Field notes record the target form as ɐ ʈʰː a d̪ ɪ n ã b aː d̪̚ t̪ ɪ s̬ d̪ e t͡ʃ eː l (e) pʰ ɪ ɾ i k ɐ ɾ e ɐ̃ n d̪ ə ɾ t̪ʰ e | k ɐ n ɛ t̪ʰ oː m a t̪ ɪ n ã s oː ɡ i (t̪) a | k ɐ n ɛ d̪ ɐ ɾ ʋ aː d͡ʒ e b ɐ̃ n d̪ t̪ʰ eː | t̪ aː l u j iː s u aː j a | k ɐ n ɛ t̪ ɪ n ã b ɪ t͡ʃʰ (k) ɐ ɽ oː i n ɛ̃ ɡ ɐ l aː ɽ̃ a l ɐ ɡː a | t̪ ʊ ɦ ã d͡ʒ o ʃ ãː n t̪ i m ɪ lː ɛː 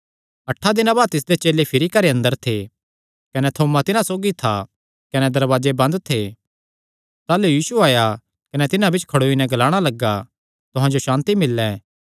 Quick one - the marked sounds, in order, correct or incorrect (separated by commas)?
correct, incorrect, incorrect